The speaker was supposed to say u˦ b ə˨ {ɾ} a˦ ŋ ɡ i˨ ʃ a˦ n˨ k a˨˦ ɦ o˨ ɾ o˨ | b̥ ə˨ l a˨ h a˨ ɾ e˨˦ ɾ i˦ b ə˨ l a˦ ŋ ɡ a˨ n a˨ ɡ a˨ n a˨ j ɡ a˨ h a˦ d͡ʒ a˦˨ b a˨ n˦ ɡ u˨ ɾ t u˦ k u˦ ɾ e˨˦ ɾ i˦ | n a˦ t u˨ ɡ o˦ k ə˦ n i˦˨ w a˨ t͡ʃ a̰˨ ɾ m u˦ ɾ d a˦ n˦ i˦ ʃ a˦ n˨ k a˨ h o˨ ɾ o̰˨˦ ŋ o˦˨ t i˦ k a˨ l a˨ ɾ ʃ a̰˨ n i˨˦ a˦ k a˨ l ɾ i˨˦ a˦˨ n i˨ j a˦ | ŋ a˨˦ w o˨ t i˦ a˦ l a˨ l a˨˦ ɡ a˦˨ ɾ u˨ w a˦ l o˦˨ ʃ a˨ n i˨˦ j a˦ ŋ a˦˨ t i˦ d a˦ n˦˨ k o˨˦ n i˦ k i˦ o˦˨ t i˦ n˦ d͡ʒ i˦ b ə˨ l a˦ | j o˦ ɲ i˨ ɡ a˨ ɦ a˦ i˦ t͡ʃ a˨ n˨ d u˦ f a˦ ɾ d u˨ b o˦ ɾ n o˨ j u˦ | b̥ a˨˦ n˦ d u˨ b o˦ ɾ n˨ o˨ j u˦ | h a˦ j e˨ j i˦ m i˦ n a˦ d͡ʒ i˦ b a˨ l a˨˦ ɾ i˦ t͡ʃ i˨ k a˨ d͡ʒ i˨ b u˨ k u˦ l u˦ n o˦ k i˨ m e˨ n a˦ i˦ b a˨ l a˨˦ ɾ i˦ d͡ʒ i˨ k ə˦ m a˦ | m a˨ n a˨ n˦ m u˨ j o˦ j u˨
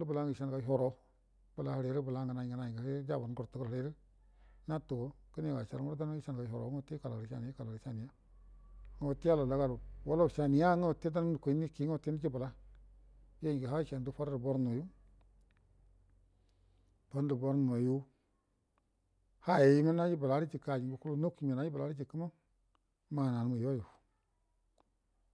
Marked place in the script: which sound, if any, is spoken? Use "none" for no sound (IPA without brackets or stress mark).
l